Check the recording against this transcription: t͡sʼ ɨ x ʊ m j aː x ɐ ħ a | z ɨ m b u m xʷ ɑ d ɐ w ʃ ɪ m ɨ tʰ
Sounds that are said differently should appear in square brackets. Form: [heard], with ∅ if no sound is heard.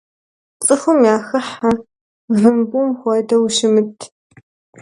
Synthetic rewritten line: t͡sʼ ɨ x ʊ m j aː x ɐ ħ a | [v] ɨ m b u m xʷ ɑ d ɐ w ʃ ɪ m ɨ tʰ